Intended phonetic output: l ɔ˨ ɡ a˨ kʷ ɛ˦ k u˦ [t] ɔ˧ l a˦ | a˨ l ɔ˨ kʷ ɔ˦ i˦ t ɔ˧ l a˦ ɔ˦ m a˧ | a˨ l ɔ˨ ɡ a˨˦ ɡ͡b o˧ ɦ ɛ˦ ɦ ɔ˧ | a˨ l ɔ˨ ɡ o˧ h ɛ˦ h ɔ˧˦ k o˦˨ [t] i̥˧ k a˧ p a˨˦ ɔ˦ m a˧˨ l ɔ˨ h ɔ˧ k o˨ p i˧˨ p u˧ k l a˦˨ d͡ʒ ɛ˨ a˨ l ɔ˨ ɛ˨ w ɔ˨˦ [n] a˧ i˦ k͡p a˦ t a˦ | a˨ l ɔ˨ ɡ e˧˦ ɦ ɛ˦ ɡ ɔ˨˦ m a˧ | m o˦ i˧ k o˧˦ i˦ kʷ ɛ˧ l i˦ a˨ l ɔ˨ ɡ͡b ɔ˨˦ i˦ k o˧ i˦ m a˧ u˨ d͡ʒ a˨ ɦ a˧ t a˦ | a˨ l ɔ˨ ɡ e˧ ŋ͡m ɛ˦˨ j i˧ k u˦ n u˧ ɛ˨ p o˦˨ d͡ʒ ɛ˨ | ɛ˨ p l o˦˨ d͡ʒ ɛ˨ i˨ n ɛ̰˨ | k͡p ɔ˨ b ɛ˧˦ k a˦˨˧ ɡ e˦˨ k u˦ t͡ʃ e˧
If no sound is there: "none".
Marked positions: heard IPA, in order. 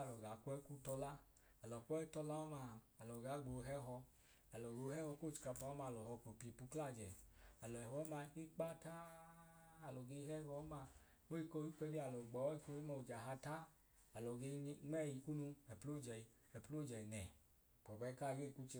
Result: t, t͡ʃ, m

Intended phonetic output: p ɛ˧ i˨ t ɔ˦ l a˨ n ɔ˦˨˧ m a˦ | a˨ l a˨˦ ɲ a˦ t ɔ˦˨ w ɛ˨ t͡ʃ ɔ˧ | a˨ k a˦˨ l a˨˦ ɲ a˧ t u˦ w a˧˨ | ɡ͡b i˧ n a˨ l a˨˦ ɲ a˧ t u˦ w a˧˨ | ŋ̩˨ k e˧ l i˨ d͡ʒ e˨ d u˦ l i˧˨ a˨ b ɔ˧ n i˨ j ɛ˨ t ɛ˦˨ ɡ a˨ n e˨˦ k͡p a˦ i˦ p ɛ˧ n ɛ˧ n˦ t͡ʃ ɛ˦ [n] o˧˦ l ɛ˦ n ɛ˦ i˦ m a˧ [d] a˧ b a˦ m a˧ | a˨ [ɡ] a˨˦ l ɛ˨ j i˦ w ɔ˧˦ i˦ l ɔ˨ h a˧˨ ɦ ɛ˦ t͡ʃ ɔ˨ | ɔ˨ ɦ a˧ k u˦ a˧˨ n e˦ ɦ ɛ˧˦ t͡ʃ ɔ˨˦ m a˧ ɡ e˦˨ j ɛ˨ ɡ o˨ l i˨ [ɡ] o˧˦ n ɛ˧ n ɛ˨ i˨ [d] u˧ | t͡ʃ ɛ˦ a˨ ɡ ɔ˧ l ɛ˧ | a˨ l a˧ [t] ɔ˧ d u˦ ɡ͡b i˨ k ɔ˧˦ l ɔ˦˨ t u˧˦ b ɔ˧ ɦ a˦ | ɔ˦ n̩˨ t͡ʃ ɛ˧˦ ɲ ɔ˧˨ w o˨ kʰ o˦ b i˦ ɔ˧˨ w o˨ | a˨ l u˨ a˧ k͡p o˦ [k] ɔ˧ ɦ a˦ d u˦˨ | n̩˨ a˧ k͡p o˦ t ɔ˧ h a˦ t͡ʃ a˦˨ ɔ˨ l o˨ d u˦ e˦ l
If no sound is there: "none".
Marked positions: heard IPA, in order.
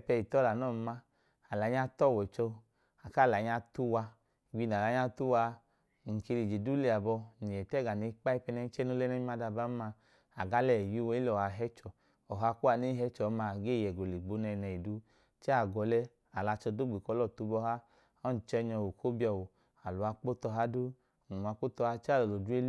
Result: n, d, ɡ, ɡ͡b, d, t͡ʃ, t

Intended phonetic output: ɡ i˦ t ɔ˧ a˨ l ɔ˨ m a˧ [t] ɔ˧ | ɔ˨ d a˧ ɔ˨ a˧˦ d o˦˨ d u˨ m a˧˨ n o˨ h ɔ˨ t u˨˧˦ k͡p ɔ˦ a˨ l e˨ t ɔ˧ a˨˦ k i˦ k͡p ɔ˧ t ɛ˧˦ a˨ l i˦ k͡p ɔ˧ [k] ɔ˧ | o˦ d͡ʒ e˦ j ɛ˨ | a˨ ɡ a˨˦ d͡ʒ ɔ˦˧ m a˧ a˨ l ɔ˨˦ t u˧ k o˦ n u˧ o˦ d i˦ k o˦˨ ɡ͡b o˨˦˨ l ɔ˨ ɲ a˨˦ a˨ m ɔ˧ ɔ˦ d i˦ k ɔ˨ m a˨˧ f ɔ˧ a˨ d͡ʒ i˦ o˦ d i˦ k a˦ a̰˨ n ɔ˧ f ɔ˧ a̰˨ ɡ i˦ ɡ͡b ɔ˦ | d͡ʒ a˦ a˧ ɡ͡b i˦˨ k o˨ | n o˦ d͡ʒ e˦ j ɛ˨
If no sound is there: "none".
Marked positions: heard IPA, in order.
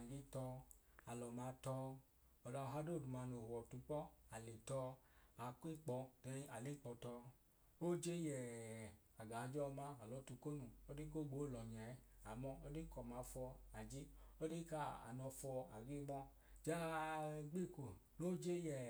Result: t, t

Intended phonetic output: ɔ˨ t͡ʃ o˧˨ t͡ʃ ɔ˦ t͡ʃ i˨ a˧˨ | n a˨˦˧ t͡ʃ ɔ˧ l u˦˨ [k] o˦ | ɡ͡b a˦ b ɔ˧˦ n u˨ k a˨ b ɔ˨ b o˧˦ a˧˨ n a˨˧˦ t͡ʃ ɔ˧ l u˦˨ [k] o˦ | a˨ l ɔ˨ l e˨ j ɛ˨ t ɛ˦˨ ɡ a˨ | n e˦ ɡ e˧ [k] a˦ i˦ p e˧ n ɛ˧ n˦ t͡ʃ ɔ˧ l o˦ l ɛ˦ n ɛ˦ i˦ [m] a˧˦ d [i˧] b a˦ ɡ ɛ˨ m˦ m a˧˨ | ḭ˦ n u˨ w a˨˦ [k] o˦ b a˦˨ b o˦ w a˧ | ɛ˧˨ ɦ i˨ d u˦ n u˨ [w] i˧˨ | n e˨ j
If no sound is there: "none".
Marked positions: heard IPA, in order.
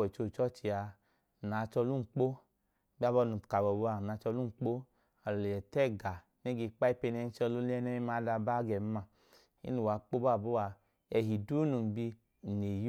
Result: k͡p, k͡p, k͡p, m, a˧, k͡p, b

